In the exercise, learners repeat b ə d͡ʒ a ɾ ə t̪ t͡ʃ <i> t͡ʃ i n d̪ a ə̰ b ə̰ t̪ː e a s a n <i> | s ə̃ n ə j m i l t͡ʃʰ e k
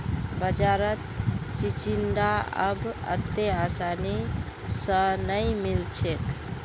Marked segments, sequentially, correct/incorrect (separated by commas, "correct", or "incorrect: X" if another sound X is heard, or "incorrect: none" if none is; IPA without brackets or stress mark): correct, correct